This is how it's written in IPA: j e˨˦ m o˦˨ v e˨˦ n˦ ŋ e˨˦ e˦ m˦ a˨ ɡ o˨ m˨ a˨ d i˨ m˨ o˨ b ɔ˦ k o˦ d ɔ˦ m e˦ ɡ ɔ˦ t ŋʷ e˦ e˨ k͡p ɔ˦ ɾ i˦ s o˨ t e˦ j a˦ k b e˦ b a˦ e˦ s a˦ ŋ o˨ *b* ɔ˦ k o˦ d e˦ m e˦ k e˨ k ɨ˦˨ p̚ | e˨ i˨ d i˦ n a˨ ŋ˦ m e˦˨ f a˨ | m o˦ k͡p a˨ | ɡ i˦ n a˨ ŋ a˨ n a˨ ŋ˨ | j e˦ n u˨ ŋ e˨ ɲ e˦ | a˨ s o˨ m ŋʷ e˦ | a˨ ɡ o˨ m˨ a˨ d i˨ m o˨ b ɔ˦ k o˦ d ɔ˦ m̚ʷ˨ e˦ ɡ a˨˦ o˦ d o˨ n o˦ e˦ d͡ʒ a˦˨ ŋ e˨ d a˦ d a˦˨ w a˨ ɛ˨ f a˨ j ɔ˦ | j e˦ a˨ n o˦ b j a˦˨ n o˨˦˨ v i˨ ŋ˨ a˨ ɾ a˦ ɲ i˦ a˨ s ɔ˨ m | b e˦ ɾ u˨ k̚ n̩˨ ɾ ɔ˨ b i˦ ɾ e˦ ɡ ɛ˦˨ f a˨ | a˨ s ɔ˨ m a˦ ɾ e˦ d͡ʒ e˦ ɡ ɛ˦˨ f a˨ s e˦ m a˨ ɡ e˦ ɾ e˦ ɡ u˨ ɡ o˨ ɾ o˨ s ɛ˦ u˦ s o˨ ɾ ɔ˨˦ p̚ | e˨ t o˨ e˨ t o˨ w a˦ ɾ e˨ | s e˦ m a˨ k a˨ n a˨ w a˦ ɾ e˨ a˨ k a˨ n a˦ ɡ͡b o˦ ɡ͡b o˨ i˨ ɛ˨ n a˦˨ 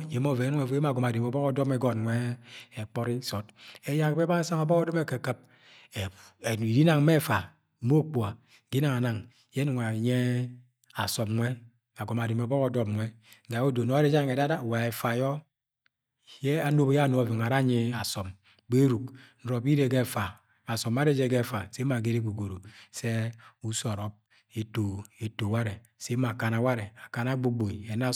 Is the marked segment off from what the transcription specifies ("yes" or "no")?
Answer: no